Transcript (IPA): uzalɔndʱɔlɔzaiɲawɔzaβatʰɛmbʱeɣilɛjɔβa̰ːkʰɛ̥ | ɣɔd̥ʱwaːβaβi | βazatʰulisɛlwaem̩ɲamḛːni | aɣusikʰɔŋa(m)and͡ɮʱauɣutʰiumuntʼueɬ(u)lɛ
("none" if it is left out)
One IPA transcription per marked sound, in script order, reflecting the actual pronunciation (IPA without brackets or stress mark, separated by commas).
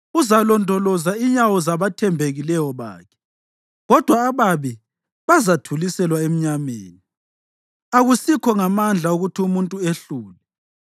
m, uː